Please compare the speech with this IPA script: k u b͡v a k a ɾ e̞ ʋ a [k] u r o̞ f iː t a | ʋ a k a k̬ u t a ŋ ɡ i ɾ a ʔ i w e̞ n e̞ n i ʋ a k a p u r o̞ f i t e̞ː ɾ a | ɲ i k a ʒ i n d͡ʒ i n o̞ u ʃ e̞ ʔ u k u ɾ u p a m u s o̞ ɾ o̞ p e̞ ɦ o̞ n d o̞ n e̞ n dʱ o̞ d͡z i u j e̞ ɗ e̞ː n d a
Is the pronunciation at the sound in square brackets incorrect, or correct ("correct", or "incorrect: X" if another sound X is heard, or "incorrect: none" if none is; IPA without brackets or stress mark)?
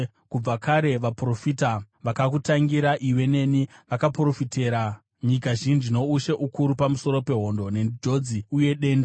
incorrect: p